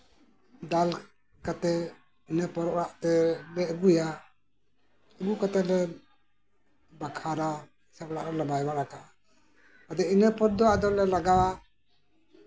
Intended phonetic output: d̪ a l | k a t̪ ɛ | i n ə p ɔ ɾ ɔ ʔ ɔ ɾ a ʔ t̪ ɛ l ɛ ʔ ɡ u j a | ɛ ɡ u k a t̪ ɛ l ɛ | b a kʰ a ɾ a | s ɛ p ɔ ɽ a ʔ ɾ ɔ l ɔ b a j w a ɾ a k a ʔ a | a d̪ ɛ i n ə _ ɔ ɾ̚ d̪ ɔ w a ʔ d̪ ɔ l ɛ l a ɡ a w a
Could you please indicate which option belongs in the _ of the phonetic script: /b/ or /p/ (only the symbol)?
p